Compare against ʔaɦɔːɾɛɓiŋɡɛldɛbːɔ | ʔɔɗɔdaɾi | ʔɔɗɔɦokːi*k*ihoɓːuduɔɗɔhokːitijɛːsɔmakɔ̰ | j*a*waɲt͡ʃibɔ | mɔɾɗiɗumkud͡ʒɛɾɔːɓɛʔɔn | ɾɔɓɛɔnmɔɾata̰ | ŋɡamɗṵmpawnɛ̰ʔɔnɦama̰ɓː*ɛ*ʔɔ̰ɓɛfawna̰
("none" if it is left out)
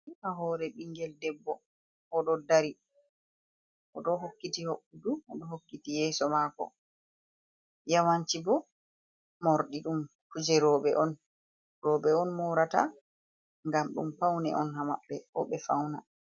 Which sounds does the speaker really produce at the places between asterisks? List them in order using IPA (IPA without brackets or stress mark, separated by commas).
t, a, ɛ